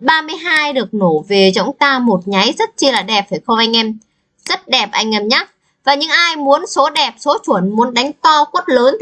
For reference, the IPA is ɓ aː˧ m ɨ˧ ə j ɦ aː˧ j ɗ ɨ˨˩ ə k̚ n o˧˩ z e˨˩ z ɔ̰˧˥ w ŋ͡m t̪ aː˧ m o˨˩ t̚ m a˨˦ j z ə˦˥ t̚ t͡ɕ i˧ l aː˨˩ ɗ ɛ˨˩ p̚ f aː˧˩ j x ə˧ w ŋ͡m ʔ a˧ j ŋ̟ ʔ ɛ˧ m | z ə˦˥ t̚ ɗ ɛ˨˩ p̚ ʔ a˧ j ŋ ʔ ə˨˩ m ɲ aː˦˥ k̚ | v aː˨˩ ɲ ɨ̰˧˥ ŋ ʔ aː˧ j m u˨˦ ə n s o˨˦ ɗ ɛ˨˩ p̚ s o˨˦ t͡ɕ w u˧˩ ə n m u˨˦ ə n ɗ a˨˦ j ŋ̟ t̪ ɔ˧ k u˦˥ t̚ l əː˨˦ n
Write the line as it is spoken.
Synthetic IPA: ɓ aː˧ m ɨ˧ ə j ɦ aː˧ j ɗ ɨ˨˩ ə k̚ n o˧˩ v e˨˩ z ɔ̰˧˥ w ŋ͡m t̪ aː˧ m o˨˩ t̚ ɲ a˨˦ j z ə˦˥ t̚ t͡ɕ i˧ l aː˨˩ ɗ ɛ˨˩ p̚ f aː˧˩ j x ə˧ w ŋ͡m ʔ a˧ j ŋ̟ ʔ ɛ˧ m | z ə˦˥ t̚ ɗ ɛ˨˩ p̚ ʔ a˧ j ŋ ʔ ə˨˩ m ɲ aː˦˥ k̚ | v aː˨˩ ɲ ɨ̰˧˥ ŋ ʔ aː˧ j m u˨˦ ə n s o˨˦ ɗ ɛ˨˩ p̚ s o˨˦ t͡ɕ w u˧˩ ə n m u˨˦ ə n ɗ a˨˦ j ŋ̟ t̪ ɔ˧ k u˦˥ t̚ l əː˨˦ n